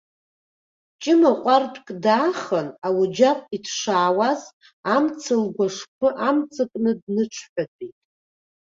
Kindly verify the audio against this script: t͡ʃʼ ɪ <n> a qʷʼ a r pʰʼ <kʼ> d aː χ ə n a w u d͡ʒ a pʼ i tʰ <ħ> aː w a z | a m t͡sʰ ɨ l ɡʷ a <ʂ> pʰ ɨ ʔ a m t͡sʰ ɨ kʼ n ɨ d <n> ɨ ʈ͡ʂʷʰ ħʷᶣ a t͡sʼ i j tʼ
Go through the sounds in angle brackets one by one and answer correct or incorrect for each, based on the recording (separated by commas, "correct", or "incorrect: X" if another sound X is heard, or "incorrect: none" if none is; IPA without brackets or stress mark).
incorrect: m, correct, incorrect: ʂ, correct, correct